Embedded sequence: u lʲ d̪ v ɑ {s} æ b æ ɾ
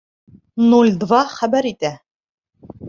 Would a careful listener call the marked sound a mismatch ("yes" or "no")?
yes